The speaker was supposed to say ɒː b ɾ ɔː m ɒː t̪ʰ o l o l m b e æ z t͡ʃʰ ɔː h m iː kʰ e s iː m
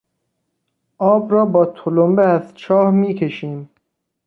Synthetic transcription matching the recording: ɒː b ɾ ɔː b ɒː t̪ʰ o l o m b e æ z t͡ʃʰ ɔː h m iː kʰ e ʃ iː m

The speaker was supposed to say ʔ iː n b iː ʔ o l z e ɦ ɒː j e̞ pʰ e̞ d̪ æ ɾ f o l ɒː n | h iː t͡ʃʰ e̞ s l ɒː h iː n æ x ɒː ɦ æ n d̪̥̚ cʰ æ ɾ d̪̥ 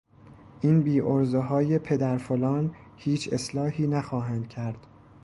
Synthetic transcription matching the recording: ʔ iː n b iː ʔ o ɾ z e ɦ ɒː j e̞ pʰ e̞ d̪ æ ɾ f o l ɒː n | h iː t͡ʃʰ e̞ s l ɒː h iː n æ x ɒː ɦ æ n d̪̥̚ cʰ æ ɾ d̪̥

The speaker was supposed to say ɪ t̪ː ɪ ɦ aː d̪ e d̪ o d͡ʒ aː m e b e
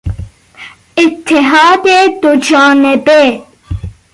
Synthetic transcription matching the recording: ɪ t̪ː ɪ ɦ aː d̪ e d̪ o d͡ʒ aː n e b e

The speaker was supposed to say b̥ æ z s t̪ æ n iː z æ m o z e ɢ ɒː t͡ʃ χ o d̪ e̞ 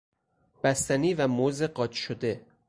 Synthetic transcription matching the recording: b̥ æ s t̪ æ n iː v æ m o z e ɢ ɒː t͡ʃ ʃ o d̪ e̞

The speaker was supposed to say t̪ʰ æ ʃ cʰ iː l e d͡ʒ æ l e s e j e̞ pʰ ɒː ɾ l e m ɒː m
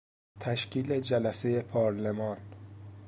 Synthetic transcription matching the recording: t̪ʰ æ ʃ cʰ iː l e d͡ʒ æ l æ s e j e̞ pʰ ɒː ɾ l e m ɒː n

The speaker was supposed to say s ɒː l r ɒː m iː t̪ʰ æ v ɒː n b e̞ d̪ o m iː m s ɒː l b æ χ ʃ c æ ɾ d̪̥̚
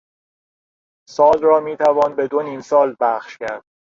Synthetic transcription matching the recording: s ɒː l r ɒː m iː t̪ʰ æ v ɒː n b e̞ d̪ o n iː m s ɒː l b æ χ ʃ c æ ɾ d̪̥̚

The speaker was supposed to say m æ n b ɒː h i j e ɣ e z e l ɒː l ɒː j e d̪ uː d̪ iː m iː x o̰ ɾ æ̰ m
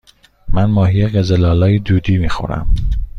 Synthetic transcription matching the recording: m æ n m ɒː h i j e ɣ e z e l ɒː l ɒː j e d̪ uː d̪ iː m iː x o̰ ɾ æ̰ m

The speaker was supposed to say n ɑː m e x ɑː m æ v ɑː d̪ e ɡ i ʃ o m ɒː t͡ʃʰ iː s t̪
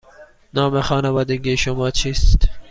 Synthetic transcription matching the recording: n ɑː m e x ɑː n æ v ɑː d̪ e ɡ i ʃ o m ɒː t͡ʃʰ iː s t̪

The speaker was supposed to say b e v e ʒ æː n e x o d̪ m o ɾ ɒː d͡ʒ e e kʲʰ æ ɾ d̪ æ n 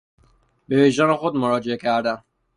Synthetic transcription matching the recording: b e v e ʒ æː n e x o d̪ m o ɾ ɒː d͡ʒ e e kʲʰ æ ɾ d̪ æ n

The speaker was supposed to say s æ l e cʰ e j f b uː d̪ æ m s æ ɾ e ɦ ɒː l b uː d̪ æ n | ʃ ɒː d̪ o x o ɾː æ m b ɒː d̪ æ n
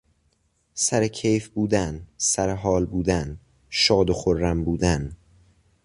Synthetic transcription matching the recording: s æ ɾ e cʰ e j f b uː d̪ æ n s æ ɾ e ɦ ɒː l b uː d̪ æ n | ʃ ɒː d̪ o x o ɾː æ m b uː d̪ æ n

